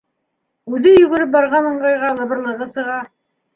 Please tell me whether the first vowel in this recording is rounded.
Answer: yes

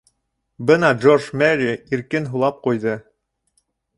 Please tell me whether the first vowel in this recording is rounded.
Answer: no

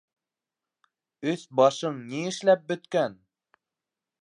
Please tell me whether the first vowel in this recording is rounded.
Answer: yes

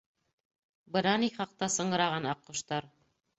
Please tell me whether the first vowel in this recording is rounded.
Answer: no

